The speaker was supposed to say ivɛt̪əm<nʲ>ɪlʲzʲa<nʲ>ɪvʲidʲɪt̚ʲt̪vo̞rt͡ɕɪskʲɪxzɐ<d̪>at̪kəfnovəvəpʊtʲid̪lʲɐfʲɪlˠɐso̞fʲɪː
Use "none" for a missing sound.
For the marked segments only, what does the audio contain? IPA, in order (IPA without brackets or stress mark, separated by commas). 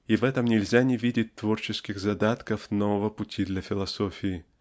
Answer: nʲ, nʲ, d̪